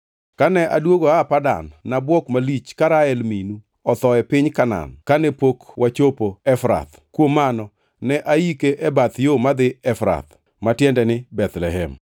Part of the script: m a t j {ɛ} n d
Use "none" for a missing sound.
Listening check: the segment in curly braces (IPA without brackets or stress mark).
ɛ